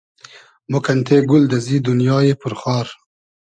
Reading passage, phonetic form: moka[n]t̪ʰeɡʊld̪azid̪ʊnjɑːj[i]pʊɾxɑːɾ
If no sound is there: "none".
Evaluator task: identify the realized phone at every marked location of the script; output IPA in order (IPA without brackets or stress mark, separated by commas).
n, e